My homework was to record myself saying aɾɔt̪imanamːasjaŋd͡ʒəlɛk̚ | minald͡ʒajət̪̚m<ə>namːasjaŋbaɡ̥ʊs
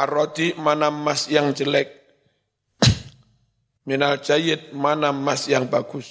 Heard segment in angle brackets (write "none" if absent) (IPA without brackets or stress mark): a